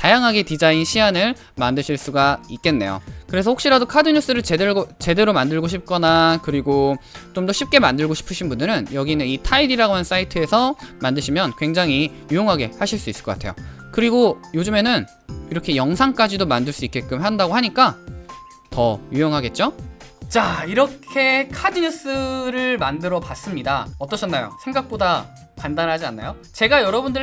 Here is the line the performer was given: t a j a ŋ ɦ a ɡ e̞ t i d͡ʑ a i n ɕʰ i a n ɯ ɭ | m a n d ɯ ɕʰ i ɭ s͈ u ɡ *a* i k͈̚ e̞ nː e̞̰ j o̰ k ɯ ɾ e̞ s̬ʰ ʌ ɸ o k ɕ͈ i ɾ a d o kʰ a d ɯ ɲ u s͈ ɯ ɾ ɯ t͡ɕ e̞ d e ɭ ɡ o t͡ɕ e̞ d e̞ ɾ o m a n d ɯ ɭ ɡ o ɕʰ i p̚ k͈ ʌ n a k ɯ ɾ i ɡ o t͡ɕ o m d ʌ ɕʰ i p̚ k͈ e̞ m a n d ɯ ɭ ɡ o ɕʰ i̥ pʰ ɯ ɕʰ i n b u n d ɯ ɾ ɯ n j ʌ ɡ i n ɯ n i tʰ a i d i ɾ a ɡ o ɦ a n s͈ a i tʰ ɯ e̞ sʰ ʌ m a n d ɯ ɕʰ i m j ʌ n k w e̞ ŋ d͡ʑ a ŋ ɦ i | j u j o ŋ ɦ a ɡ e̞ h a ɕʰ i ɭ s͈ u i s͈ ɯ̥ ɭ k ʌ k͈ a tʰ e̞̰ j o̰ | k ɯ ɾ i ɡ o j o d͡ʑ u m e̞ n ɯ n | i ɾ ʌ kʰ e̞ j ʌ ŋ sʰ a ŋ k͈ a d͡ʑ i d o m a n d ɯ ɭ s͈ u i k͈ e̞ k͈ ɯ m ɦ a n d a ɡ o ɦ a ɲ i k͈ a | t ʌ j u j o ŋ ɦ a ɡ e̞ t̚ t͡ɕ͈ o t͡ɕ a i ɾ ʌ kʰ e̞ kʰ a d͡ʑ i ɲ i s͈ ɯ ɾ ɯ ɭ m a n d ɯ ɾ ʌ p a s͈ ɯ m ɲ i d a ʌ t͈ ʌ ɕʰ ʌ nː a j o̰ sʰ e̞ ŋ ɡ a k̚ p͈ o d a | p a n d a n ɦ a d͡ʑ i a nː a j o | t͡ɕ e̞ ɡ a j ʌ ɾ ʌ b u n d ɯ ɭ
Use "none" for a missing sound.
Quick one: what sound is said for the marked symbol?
a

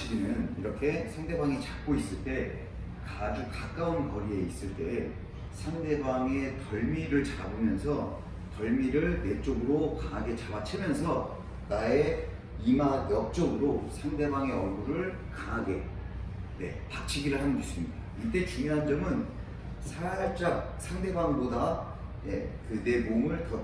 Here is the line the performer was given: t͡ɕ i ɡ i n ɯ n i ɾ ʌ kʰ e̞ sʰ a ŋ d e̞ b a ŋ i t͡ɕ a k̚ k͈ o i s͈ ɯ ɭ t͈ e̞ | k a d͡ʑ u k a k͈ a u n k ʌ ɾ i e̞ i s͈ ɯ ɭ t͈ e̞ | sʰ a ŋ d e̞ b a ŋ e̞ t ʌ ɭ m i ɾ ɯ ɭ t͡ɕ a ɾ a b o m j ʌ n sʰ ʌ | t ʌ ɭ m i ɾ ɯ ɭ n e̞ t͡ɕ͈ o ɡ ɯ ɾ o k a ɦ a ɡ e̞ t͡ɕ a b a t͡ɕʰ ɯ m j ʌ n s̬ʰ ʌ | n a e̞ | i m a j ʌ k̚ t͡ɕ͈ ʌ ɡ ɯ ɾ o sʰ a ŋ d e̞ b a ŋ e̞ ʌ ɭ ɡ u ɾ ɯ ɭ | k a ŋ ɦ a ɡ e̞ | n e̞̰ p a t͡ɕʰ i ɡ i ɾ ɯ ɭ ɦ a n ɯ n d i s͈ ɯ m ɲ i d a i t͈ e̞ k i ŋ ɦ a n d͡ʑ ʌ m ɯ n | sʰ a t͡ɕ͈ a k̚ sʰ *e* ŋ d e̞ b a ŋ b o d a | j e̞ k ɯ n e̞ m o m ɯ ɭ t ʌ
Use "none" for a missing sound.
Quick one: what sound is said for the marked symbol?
a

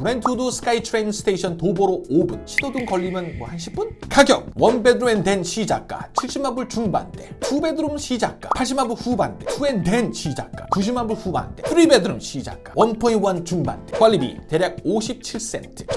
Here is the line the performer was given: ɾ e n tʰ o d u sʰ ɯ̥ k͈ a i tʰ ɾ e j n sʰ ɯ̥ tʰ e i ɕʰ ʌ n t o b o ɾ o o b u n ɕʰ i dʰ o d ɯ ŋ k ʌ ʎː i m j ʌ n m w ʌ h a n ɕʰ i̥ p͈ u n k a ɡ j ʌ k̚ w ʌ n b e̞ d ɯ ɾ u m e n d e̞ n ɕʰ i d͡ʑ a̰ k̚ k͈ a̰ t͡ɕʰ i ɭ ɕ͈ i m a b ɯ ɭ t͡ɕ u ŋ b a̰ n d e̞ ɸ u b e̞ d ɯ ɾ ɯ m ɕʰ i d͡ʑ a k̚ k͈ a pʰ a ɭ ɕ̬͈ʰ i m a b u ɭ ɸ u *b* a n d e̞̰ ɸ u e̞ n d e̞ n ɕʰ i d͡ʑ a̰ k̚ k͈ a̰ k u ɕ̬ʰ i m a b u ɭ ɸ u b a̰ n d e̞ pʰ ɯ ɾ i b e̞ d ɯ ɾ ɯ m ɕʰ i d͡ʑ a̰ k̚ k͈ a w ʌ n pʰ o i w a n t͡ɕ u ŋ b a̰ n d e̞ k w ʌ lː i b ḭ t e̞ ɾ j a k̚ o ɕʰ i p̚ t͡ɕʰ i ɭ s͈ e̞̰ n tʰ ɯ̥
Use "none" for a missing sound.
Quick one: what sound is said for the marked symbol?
b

